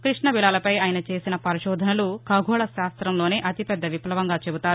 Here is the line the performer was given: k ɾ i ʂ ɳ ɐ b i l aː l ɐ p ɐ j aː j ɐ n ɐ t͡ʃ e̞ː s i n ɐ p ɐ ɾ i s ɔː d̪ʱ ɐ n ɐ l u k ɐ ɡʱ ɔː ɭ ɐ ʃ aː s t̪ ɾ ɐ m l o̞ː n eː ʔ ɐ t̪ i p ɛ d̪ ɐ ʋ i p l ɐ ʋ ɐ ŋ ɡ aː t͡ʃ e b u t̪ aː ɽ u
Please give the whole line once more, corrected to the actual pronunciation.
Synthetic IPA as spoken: k ɾ i ʂ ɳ ɐ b i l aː l ɐ p ɐ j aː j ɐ n ɐ t͡ʃ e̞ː s i n ɐ p ɐ ɾ i ʃ ɔː d̪ʱ ɐ n ɐ l u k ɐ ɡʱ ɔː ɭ ɐ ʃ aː s t̪ ɾ ɐ m l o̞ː n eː ʔ ɐ t̪ i p ɛ d̪ː ɐ ʋ i p l ɐ ʋ ɐ ŋ ɡ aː t͡ʃ e b u t̪ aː ɾ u